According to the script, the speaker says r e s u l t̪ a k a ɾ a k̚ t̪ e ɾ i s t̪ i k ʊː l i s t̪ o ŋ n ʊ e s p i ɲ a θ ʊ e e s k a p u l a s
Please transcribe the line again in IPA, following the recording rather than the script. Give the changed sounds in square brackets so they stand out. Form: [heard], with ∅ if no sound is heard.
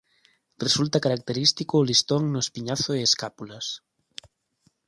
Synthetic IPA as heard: r e s u l t̪ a k a ɾ a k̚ t̪ e ɾ i s t̪ i k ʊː l i s t̪ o ŋ n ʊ e s p i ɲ a θ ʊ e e s k a p u l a s